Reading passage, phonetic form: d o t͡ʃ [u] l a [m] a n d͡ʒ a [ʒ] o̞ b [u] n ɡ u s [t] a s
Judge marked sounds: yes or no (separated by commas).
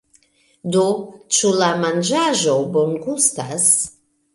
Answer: yes, yes, yes, no, yes